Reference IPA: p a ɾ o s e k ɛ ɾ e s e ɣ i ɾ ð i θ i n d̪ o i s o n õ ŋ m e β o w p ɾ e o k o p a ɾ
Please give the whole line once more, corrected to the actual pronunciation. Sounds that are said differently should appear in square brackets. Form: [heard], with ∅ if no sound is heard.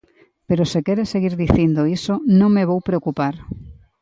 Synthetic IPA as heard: p [e] ɾ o s e k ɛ ɾ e s e ɣ i ɾ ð i θ i n d̪ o i s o n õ ŋ m e β o w p ɾ e o k [u] p a ɾ